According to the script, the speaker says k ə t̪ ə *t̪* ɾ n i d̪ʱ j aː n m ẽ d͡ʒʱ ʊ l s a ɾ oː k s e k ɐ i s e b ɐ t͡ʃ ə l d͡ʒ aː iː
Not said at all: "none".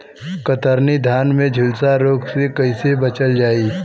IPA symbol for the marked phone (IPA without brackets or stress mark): none